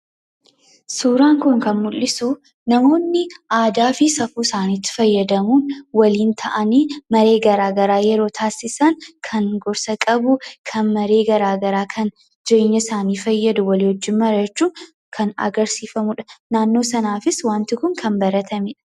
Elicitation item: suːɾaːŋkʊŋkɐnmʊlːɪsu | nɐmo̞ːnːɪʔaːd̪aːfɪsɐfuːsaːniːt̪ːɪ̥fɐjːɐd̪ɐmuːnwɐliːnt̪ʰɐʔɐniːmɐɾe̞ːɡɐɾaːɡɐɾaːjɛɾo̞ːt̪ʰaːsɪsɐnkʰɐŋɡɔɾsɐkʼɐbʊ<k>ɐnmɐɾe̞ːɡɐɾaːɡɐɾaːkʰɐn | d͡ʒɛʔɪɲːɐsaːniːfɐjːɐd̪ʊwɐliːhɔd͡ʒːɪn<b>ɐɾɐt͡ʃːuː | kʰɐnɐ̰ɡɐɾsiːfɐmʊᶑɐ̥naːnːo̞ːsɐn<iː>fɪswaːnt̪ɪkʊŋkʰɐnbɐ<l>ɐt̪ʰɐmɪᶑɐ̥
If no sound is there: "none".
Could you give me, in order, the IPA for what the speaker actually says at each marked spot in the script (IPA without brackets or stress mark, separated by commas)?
kʰ, m, aː, ɾ